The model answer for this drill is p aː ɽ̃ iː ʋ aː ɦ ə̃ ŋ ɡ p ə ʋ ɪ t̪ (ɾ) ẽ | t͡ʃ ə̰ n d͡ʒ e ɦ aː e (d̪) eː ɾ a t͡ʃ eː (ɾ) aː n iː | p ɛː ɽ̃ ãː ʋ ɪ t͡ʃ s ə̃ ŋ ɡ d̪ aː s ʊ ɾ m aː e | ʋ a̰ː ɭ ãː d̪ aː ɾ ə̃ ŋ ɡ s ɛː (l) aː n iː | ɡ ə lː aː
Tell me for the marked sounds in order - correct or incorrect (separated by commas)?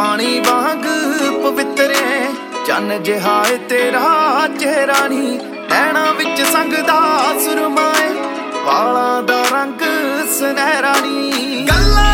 correct, incorrect, correct, incorrect